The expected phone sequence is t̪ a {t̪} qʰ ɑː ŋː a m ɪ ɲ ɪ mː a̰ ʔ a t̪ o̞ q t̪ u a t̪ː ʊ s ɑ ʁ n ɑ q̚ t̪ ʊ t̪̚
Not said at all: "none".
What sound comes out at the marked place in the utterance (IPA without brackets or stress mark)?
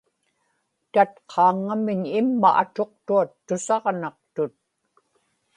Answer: t̪